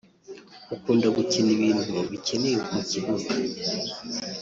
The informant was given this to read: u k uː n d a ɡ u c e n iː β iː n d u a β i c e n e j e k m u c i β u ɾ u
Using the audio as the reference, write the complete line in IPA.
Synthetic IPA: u k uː n d a ɡ u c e n i β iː n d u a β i c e n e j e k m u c i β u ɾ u